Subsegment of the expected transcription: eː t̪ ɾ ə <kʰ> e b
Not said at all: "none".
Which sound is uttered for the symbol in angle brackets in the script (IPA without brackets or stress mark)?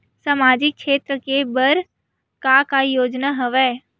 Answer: k